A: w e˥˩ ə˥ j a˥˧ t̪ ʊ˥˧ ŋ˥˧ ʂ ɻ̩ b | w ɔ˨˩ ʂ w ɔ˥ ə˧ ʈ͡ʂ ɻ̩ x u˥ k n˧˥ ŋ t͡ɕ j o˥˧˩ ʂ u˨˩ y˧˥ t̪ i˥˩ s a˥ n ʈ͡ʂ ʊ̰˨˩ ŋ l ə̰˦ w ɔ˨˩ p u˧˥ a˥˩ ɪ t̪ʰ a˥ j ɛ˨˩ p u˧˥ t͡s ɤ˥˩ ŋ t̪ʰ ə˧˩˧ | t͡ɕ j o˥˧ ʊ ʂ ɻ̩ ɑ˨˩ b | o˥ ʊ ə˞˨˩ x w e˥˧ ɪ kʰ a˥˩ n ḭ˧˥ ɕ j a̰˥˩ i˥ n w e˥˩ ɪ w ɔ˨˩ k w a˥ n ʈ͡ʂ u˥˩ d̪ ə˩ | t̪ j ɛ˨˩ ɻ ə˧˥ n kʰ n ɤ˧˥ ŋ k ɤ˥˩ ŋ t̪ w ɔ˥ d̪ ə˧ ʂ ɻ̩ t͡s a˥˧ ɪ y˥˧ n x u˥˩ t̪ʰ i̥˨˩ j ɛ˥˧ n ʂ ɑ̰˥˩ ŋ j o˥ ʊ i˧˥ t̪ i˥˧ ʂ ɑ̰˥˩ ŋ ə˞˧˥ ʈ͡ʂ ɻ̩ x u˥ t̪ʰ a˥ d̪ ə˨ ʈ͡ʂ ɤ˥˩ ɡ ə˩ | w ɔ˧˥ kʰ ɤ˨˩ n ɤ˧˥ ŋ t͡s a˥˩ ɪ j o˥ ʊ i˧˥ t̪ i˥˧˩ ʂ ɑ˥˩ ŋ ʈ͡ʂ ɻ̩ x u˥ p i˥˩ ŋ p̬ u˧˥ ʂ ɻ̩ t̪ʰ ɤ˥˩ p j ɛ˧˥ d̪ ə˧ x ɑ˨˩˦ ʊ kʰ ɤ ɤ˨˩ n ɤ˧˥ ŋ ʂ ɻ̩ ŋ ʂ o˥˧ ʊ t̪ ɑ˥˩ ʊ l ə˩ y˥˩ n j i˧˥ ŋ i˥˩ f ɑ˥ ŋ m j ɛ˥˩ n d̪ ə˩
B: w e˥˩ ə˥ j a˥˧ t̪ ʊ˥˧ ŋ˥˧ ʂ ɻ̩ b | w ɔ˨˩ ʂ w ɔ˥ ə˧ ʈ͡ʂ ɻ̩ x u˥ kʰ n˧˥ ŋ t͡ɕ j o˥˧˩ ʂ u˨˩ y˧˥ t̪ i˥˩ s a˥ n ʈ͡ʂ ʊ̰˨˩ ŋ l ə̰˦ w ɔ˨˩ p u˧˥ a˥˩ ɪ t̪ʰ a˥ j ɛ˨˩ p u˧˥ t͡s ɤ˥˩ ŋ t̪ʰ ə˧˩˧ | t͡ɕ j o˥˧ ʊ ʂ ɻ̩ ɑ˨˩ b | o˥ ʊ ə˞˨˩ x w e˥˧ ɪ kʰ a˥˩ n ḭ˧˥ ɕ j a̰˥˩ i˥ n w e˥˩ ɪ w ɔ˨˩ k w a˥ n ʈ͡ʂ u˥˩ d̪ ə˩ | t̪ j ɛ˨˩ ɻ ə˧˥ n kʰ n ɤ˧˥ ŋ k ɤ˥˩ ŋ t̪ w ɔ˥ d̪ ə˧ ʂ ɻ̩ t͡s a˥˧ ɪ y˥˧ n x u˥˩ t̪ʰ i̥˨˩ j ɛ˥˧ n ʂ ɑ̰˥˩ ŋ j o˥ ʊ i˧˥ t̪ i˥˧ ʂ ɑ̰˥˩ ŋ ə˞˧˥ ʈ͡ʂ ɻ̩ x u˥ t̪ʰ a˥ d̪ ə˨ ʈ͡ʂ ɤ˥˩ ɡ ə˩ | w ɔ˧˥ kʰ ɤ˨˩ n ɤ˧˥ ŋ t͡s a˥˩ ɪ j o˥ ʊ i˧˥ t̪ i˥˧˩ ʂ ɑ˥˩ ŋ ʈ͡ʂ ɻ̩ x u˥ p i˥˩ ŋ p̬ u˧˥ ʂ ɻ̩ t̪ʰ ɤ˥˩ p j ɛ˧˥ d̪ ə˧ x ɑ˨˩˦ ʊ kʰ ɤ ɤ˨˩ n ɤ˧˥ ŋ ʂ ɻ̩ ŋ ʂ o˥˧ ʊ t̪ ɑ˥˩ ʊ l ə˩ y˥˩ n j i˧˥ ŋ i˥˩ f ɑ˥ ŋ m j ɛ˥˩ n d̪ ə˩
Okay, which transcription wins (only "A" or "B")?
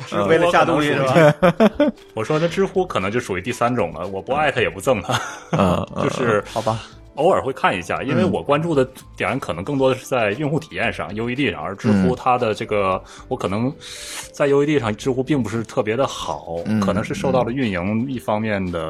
B